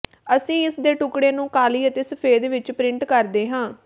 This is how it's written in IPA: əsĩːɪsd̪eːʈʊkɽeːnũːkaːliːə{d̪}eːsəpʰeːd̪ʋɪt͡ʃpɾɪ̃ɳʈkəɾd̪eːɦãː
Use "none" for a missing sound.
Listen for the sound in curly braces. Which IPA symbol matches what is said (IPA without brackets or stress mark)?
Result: t̪